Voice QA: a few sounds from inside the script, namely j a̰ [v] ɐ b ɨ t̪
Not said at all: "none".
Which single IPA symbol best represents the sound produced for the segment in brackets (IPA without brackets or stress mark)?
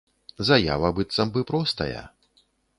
v